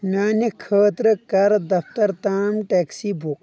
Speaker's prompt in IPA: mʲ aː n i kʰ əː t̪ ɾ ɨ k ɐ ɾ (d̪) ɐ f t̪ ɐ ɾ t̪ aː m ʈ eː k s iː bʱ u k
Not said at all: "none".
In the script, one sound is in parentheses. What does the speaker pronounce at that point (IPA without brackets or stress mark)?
d̪